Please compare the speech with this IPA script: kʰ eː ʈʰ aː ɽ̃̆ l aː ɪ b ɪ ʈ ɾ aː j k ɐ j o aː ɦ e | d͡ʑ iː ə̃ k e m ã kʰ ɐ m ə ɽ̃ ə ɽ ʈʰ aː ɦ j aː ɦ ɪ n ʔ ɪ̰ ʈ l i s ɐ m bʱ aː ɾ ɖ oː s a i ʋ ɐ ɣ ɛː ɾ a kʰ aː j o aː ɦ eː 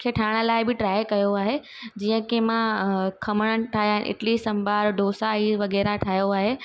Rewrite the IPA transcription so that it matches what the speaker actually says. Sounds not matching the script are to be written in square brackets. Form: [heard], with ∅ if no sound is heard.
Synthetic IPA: kʰ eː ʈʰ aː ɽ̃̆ l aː ɪ b ɪ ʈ ɾ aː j k ɐ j o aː ɦ e | d͡ʑ iː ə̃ k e m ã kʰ ɐ m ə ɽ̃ ə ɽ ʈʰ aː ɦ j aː ɦ ɪ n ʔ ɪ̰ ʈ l i s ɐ m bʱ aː ɾ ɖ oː s a i ʋ ɐ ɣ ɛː ɾ a [ʈʰ] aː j o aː ɦ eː